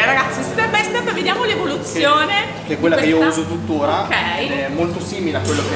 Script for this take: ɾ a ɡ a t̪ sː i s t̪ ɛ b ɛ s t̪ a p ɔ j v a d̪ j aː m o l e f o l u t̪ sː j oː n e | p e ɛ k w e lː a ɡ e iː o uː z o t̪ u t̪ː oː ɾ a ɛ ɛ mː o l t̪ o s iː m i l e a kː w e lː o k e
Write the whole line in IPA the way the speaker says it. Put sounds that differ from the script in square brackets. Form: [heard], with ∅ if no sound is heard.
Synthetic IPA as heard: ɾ a ɡ a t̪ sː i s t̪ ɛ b ɛ s t̪ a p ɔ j v [e] d̪ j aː m o l e [v] o l u t̪ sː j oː n e | [k] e ɛ k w e lː a [k] e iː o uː z o t̪ u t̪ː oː ɾ a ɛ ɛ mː o l t̪ o s iː m i l e a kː w e lː o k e